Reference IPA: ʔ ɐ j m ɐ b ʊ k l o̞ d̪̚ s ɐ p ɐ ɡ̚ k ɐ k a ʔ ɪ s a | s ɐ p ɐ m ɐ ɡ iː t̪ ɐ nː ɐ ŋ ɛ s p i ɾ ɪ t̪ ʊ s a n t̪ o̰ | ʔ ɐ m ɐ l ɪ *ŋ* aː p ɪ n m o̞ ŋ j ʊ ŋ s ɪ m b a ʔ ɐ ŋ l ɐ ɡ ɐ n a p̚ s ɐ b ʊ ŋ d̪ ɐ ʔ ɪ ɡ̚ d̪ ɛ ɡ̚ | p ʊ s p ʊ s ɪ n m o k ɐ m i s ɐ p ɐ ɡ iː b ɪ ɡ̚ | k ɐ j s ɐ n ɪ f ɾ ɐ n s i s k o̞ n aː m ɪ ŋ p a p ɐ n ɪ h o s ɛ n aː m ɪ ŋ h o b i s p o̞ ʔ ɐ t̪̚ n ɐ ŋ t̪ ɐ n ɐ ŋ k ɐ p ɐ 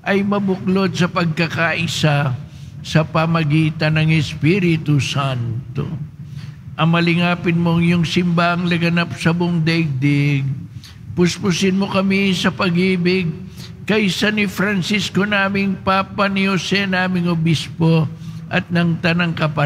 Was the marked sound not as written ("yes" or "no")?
no